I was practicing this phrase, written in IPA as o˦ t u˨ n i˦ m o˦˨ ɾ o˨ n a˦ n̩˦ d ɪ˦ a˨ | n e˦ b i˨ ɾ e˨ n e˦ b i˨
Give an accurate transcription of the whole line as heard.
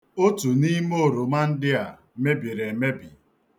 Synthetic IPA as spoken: o˦ t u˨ n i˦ m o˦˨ ɾ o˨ m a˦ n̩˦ d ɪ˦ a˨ | m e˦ b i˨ ɾ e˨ m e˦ b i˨